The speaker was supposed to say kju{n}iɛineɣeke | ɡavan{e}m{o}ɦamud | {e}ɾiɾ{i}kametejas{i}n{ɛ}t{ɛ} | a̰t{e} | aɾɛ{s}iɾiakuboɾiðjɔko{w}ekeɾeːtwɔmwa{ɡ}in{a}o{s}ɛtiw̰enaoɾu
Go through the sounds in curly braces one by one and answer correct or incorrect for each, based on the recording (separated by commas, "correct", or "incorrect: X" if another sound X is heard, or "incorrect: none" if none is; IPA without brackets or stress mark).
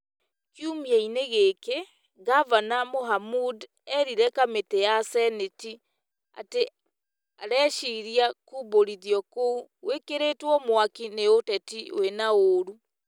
incorrect: m, incorrect: a, correct, incorrect: ɛ, incorrect: ɛ, incorrect: ɛ, incorrect: e, incorrect: i, correct, incorrect: ʃ, correct, incorrect: k, incorrect: e, incorrect: t